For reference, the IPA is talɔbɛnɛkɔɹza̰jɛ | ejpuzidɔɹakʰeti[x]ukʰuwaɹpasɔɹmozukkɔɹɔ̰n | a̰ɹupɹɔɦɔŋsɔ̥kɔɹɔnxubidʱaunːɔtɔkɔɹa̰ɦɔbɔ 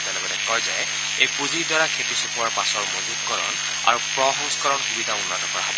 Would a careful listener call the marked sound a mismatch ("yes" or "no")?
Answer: yes